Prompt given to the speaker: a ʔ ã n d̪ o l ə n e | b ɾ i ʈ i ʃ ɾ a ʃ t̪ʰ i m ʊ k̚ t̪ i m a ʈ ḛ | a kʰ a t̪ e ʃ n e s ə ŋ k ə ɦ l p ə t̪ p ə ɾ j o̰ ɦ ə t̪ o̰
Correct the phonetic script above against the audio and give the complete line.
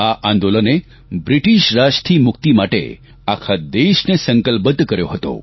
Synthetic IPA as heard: a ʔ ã n d̪ o l ə n e | b ɾ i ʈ i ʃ ɾ a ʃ t̪ʰ i m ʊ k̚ t̪ i m a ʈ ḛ | a kʰ a d̪ e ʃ n e s ə ŋ k ə l p ə t̪ k ə ɾ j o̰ ɦ ə t̪ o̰

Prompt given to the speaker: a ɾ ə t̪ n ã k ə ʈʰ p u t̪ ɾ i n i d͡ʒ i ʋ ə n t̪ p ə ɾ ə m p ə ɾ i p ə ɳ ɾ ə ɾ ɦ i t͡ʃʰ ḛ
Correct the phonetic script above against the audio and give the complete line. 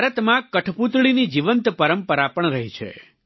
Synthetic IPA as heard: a ɾ ə t̪ m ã k ə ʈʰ p u t̪ ɭ i n i d͡ʒ i ʋ ə n t̪ p ə ɾ ə m p ə ɾ a p ə ɳ ɾ ə ɦ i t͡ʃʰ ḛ

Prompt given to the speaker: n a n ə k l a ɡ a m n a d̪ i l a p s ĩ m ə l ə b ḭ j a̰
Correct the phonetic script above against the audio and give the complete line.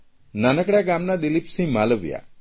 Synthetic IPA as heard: n a n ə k ɽ a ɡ a m n a d̪ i l i p s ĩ m a l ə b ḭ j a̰

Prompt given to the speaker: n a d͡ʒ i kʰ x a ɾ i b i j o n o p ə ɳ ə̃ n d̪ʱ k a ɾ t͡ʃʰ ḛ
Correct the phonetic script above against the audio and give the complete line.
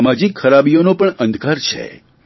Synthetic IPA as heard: m a d͡ʒ i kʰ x ə ɾ a b i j o n o p ə ɳ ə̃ n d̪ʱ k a ɾ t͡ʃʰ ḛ

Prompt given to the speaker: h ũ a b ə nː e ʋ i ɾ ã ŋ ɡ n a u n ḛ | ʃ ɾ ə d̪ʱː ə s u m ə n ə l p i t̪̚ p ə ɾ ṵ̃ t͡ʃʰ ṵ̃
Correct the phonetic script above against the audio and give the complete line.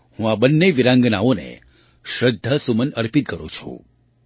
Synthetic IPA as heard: h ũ a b ə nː e ʋ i ɾ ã ŋ ɡ n a o n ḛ | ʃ ɾ ə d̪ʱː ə s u m ə n ə ɾ p i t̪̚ k ə ɾ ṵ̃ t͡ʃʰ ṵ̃

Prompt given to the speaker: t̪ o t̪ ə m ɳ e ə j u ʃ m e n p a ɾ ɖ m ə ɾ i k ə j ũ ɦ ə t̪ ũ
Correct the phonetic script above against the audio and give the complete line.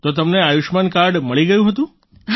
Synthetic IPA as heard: t̪ o t̪ ə m n e a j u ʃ m a n k a ɾ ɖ m ə ɭ i ɡ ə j ũ ɦ ə t̪ ũ

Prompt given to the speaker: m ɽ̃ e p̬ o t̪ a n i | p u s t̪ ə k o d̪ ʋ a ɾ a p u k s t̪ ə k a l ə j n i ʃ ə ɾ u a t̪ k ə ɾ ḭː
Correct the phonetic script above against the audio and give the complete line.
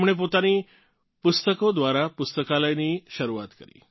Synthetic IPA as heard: m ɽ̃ e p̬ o t̪ a n i | p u s t̪ ə k o d̪ ʋ a ɾ a p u s t̪ ə k a l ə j n i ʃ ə ɾ u a t̪ k ə ɾ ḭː

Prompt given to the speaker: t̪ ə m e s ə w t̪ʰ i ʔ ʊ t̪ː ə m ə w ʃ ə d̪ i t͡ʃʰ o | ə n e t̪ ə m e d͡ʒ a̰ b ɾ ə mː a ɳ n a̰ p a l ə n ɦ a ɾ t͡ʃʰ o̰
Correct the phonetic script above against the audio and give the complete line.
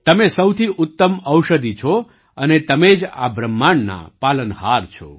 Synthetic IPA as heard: t̪ ə m e s ə w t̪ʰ i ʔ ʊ t̪ː ə m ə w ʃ ə d̪ i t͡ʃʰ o | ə n e t̪ ə m e d͡ʒ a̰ b ɾ ə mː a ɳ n a̰ p a l ə n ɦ a ɾ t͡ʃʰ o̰

